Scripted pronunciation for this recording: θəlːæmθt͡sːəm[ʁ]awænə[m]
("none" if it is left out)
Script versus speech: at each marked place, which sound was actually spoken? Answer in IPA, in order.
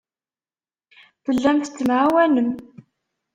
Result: ʕ, m

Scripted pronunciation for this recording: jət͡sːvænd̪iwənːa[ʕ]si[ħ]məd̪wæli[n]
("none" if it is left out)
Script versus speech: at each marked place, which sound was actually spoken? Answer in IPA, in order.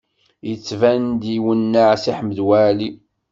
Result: ʕ, ħ, none

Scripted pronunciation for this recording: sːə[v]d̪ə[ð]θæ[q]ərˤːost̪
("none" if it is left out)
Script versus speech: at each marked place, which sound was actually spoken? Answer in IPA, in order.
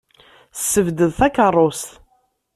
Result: v, ð, k

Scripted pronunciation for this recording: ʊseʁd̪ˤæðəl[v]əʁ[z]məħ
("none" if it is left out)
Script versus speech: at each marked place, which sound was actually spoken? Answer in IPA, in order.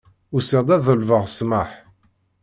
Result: v, s

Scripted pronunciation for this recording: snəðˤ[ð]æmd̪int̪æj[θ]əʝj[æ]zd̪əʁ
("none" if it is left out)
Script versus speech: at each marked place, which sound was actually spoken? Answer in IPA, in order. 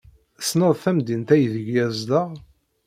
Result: θ, ð, æ

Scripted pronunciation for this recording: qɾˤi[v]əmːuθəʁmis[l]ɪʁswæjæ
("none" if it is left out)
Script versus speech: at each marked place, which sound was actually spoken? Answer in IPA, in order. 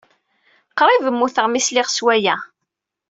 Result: v, l

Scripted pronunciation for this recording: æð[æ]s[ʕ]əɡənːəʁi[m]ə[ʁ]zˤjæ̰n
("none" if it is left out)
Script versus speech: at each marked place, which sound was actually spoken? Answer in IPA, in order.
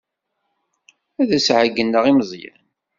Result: æ, ʕ, m, none

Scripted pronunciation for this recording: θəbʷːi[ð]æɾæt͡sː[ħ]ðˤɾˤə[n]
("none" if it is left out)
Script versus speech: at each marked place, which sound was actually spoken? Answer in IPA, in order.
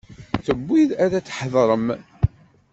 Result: ð, ħ, m

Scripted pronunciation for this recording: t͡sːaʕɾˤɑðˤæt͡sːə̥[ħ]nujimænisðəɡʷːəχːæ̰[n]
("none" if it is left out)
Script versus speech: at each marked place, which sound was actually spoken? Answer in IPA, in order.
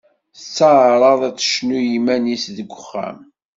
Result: ʃ, m

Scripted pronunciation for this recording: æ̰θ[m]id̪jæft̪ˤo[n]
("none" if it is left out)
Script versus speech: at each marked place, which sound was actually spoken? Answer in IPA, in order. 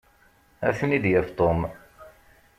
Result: n, m

